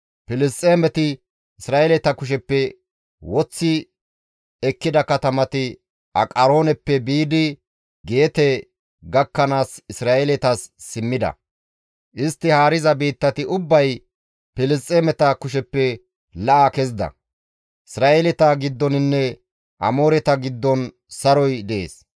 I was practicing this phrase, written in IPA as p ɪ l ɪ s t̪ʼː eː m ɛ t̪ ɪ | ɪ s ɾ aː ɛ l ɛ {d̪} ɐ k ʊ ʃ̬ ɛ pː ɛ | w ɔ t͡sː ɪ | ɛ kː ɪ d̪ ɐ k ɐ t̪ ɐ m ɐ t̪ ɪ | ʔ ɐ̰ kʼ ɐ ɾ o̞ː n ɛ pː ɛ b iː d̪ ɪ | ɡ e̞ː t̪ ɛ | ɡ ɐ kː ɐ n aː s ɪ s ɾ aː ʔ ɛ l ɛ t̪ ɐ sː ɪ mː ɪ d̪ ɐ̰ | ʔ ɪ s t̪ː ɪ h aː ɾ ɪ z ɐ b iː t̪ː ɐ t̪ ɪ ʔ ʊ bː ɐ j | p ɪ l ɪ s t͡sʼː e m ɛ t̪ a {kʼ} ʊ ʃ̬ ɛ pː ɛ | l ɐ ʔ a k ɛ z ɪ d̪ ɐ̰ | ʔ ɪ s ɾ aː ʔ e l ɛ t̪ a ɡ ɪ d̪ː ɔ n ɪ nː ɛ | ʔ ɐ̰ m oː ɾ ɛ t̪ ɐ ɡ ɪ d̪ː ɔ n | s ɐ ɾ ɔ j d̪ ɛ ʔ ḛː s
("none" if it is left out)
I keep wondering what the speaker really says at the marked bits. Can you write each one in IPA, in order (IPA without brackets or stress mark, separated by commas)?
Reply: t̪, k